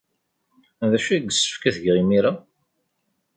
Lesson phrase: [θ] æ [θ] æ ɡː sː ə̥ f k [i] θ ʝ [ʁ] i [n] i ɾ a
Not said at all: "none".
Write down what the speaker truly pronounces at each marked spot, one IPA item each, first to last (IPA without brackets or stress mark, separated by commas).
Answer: ð, ʃ, æ, ʁ, m